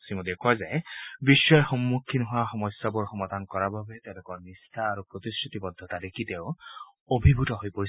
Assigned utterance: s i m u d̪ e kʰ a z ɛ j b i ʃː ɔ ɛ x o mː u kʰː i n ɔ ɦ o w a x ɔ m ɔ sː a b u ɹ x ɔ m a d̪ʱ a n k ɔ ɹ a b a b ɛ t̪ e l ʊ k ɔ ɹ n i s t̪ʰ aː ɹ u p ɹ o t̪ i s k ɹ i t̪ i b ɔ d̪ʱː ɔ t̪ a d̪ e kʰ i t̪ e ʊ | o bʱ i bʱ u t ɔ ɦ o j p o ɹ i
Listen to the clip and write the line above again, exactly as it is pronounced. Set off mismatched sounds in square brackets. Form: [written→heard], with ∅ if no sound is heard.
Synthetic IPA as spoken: s i m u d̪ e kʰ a z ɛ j b i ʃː ɔ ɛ x [o→ɔ] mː u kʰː i n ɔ ɦ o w a x ɔ m ɔ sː a b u ɹ x ɔ m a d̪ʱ a n k ɔ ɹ a b a b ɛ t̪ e l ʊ k ɔ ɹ n i s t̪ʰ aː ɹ u p ɹ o t̪ i s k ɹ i t̪ i b ɔ d̪ʱː ɔ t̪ a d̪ e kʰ i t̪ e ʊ | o bʱ i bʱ u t ɔ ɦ o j p o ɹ i